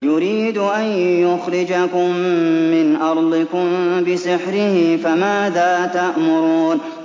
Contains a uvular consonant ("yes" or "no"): no